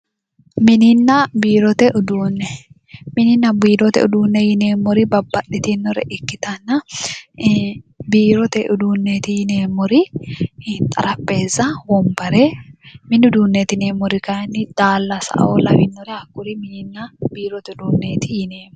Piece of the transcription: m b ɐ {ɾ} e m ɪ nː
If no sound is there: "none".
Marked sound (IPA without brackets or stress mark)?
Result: ɾ